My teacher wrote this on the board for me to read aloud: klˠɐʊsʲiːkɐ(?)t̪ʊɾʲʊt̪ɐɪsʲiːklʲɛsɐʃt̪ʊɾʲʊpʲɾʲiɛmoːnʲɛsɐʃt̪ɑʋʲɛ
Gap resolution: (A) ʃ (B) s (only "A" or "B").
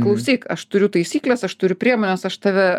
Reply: A